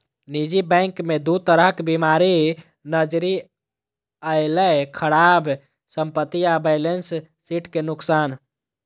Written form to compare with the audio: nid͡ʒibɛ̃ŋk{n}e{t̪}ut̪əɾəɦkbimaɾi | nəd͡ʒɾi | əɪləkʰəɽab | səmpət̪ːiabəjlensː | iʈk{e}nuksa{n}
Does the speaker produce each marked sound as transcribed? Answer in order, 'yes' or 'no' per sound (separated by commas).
no, no, yes, yes